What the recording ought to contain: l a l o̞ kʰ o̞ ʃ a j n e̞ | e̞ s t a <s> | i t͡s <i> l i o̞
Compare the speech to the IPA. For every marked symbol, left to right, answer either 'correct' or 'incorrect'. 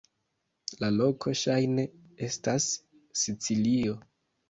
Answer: incorrect, correct

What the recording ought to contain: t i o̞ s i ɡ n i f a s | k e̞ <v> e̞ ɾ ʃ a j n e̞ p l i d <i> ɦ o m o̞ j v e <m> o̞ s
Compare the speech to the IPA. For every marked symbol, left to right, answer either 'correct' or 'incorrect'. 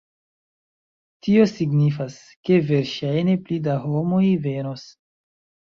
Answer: correct, incorrect, incorrect

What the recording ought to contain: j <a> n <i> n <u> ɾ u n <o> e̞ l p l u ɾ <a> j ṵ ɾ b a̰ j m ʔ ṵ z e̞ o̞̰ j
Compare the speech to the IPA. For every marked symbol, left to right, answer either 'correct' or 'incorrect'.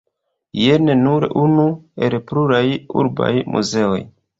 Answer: incorrect, incorrect, correct, incorrect, correct

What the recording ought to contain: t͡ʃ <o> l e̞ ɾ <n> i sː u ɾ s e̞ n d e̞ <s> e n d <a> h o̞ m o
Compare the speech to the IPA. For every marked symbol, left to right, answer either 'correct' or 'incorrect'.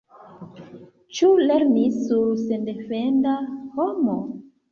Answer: incorrect, correct, incorrect, correct

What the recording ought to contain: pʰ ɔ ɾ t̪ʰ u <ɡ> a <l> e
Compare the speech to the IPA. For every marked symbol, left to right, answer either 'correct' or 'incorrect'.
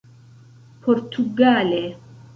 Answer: correct, correct

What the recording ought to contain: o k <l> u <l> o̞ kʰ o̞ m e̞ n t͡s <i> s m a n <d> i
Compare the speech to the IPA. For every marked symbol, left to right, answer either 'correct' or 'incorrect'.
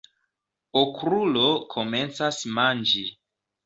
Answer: incorrect, correct, incorrect, incorrect

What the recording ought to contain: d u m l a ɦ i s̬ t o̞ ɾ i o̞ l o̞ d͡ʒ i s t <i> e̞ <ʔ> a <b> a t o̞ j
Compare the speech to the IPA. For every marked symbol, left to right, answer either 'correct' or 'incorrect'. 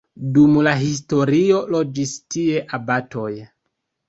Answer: correct, correct, correct

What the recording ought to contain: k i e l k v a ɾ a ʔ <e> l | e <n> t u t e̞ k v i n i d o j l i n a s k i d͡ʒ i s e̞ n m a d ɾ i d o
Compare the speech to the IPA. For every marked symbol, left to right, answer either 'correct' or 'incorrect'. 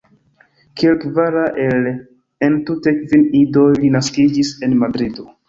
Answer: correct, correct

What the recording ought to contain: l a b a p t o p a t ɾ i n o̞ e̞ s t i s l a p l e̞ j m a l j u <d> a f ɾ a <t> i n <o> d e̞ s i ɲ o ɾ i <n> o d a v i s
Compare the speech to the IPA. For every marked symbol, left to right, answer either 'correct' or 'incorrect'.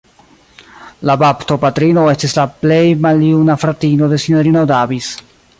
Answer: incorrect, correct, correct, correct

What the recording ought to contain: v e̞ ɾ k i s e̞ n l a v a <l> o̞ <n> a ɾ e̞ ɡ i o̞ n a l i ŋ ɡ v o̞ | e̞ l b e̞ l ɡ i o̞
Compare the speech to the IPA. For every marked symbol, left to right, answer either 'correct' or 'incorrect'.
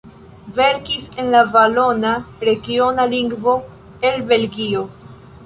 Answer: correct, correct

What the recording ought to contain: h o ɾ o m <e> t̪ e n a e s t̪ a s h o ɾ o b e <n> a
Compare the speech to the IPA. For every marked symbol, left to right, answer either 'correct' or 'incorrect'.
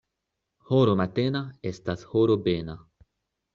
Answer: incorrect, correct

